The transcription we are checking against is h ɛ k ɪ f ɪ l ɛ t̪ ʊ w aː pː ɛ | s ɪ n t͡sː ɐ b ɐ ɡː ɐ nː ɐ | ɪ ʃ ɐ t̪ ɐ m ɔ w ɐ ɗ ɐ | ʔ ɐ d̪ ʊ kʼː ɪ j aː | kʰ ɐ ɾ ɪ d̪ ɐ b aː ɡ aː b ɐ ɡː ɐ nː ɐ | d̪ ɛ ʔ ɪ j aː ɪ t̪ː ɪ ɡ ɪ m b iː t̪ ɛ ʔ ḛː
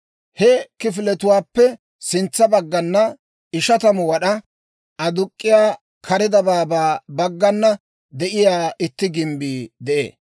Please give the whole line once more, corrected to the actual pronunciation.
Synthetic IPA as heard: h ɛ k ɪ f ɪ l ɛ t̪ ʊ w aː pː ɛ | s ɪ n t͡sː ɐ b ɐ ɡː ɐ nː ɐ | ɪ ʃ ɐ t̪ ɐ m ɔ w ɐ ɗ ɐ | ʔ ɐ d̪ ʊ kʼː ɪ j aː | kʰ ɐ ɾ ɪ d̪ ɐ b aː b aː b ɐ ɡː ɐ nː ɐ | d̪ ɛ ʔ ɪ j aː ɪ t̪ː ɪ ɡ ɪ m b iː d̪ ɛ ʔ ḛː